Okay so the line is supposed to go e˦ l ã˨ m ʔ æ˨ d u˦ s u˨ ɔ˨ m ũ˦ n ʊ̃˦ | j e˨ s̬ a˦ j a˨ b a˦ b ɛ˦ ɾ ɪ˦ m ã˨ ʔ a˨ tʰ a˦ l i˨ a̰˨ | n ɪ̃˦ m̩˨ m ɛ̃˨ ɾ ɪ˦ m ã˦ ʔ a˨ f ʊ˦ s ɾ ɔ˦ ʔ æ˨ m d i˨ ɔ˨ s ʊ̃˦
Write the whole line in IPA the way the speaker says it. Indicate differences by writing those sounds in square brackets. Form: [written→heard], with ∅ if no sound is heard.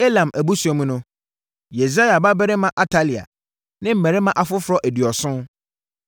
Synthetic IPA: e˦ l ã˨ m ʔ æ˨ [d→b] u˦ s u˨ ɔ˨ m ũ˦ n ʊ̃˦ | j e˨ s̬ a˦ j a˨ b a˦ b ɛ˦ ɾ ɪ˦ m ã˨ ʔ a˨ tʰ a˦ l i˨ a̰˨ | n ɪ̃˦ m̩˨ m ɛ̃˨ ɾ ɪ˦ m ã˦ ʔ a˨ f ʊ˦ [s→f] ɾ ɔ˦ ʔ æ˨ [m→∅] d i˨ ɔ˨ s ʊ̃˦

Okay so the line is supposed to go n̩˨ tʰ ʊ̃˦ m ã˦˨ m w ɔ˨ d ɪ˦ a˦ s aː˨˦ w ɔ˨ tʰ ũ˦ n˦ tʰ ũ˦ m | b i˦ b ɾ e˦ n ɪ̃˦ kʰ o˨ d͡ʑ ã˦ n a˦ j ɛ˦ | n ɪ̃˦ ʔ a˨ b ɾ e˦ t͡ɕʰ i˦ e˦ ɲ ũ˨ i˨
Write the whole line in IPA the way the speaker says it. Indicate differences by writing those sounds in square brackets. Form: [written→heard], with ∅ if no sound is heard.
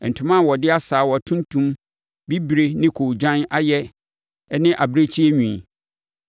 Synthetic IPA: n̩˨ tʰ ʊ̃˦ m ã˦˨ [m→∅] w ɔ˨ d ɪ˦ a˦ s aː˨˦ w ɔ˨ tʰ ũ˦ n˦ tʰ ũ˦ m | b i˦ b ɾ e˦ n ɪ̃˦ kʰ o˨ d͡ʑ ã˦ n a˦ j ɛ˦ | n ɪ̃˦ ʔ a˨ b ɾ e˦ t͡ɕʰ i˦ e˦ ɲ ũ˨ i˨

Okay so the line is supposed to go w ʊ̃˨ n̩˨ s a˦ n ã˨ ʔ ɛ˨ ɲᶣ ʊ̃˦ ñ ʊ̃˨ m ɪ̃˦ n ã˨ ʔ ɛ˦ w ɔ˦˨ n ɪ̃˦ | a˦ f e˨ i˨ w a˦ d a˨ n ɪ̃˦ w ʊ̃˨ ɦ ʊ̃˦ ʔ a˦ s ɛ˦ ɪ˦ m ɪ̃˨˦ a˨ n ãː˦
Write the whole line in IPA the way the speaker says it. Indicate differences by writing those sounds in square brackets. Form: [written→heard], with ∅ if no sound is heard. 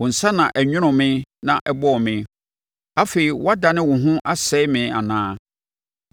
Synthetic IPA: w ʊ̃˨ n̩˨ s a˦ n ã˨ ʔ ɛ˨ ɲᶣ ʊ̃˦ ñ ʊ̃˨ m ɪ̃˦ n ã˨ ʔ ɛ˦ [w→b] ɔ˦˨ [n→m] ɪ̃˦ | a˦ f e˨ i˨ w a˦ d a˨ n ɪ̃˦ w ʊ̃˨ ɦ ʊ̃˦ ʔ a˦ s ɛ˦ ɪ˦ m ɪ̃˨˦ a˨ n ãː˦

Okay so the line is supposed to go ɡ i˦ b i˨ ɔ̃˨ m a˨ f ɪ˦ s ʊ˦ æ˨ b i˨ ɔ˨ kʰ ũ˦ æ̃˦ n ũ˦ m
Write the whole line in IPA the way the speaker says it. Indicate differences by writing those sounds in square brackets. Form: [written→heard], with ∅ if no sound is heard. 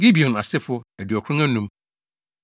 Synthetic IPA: ɡ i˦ b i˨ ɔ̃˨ [m→n] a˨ [f→s] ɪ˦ [s→f] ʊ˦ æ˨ [b→d] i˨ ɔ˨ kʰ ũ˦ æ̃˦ n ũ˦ m

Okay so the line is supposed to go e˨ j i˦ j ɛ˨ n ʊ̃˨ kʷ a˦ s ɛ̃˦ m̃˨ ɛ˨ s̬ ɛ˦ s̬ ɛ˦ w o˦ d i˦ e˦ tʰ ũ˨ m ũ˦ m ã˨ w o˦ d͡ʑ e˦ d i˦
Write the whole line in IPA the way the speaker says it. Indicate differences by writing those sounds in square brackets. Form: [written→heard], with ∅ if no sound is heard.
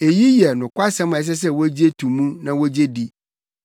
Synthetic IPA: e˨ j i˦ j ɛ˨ n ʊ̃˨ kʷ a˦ s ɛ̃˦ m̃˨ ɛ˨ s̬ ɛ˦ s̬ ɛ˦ w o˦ [d→d͡ʑ] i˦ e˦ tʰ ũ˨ m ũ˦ [m→n] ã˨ w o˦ d͡ʑ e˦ d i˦

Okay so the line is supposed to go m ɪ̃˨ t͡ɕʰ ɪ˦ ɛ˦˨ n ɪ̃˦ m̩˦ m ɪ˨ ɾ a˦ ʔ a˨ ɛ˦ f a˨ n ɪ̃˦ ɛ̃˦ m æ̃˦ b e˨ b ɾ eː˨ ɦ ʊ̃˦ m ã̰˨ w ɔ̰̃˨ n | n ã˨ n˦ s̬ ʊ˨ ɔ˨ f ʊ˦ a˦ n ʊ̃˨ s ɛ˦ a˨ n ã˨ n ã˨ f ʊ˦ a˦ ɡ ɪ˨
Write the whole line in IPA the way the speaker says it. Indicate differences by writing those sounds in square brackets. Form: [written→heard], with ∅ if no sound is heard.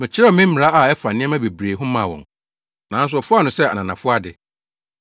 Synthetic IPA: m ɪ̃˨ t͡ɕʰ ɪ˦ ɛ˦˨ [n→m] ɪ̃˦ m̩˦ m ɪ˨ ɾ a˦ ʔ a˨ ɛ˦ f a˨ n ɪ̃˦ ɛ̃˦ m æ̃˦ b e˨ b ɾ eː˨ ɦ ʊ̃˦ m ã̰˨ w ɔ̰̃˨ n | n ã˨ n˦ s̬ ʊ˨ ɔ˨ f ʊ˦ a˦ n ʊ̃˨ s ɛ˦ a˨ n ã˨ n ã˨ f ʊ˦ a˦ [ɡ→d] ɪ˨

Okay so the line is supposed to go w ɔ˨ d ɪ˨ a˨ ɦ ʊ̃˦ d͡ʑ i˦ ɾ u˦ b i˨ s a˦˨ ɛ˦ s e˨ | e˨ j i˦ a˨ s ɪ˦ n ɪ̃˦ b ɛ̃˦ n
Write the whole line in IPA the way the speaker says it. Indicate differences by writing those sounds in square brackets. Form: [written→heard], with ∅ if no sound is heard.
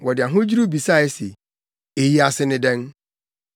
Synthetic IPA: w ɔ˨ d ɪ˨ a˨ ɦ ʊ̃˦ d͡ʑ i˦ ɾ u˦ b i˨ s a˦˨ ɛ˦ s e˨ | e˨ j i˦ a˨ s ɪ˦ n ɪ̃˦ [b→d] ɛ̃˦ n

